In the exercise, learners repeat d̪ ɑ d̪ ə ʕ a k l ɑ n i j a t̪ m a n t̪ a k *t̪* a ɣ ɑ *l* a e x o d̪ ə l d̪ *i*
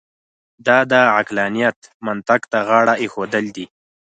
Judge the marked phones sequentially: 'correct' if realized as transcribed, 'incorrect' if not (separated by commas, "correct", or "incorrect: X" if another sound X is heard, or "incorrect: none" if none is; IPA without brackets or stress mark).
correct, incorrect: ɽ, correct